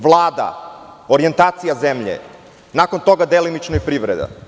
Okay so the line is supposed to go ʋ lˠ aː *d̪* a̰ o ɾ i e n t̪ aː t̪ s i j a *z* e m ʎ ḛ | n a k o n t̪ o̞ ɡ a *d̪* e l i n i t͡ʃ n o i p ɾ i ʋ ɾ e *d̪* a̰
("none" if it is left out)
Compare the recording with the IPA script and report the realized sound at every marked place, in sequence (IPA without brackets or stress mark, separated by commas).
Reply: d̪, z, d̪, d̪